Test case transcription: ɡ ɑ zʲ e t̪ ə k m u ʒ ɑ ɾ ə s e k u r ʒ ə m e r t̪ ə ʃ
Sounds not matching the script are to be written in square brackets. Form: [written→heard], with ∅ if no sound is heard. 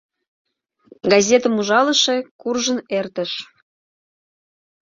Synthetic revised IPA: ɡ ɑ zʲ e t̪ ə [k→∅] m u ʒ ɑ [ɾ→l] ə [s→ʃ] e k u r ʒ ə [m→n] e r t̪ ə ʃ